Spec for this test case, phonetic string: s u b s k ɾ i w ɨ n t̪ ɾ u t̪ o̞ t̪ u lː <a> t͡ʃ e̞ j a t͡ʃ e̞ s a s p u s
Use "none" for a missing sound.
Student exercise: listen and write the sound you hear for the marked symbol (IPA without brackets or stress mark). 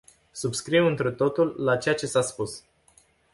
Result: a